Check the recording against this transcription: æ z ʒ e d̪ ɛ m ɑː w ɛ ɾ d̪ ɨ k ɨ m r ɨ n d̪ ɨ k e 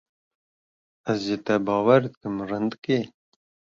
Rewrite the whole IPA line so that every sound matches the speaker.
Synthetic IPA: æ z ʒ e t̪ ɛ b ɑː w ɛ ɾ d̪ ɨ k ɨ m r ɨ n d̪ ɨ k e